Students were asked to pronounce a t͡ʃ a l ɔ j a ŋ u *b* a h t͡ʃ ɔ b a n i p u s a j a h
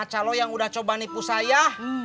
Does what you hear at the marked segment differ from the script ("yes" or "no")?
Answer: yes